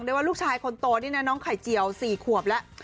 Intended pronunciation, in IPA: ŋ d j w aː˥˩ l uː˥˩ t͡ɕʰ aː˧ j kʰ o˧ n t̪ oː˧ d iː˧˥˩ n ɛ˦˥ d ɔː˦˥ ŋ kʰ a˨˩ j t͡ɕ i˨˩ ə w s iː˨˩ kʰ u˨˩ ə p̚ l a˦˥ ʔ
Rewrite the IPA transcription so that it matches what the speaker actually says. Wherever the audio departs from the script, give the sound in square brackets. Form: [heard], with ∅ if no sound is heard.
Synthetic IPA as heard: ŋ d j w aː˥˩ l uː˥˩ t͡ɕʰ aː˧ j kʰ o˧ n t̪ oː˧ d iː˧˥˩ n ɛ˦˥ [n] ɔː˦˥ ŋ kʰ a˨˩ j t͡ɕ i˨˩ ə w s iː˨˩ kʰ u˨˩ ə p̚ l [ɛ˦˥] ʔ